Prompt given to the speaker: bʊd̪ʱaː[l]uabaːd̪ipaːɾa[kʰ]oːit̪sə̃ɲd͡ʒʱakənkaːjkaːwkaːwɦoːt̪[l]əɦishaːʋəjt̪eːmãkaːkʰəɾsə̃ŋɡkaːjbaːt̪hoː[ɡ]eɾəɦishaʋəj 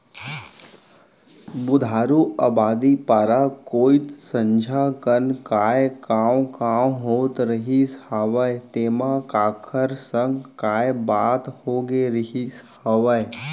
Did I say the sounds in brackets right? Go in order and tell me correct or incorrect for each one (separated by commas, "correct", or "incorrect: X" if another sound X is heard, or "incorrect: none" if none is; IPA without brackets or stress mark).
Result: incorrect: ɾ, incorrect: k, incorrect: ɾ, correct